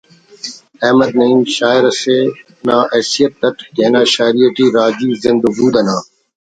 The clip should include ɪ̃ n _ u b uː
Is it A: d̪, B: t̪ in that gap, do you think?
A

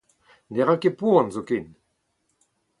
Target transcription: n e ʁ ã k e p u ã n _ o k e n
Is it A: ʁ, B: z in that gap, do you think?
B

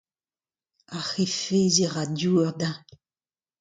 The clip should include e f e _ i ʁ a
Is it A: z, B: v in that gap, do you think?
A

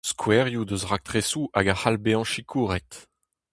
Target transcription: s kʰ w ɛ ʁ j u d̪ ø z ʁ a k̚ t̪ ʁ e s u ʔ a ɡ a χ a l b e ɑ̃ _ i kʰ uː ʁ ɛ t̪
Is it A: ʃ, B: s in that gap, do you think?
A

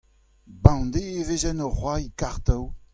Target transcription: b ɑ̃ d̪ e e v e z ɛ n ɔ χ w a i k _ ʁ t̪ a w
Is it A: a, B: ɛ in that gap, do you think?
A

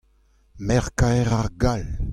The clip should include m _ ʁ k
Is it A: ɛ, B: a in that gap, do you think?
A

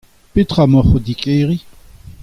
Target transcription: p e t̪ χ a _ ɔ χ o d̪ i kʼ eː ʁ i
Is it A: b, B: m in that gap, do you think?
B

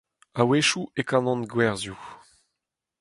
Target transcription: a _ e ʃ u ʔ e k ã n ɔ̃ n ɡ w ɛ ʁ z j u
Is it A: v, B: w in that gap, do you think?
B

